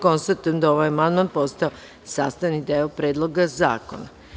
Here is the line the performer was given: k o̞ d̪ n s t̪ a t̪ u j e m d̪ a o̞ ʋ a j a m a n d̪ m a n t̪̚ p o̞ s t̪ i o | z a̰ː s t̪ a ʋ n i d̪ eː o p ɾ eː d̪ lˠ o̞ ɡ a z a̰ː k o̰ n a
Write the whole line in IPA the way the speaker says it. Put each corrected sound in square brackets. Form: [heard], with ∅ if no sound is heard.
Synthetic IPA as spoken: k o̞ [∅] n s t̪ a t̪ u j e m d̪ a o̞ ʋ a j a m a n d̪ m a n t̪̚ p o̞ s t̪ [a] o | [s] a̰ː s t̪ a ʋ n i d̪ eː o p ɾ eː d̪ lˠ o̞ ɡ a z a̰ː k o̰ n a